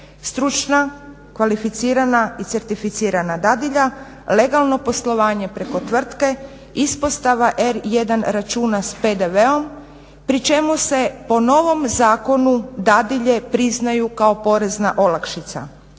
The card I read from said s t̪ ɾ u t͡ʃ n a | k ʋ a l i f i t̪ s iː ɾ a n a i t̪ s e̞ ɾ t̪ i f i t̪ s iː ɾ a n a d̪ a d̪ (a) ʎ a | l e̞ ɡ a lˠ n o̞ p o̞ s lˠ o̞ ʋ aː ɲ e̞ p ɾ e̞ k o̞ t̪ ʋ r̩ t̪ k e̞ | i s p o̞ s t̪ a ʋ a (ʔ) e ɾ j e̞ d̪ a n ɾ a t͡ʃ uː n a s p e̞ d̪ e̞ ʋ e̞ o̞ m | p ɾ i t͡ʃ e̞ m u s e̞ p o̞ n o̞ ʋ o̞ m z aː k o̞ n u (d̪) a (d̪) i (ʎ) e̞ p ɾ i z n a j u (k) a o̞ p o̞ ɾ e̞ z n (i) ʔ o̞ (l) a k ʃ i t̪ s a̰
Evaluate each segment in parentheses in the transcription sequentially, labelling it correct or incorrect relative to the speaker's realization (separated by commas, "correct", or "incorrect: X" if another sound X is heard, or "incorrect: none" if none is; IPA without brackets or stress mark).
incorrect: i, correct, correct, correct, correct, correct, incorrect: a, correct